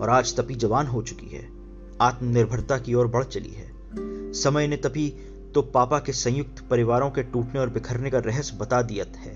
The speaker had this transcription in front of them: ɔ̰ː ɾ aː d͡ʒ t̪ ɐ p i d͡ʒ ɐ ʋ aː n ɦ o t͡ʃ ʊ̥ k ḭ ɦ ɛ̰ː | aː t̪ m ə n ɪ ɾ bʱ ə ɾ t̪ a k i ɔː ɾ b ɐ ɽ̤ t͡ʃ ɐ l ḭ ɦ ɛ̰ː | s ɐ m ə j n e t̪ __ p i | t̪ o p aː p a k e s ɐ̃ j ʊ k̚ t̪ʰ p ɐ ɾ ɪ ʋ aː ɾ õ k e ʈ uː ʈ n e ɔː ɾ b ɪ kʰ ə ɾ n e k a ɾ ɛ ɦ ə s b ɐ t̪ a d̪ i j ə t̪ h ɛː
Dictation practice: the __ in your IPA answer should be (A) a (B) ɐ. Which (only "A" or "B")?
B